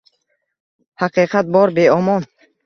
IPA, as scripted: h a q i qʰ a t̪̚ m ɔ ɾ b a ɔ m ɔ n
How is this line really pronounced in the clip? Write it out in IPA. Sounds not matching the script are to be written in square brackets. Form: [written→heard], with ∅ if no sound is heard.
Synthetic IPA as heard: h a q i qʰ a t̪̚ [m→b] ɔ ɾ b [a→e] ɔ m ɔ n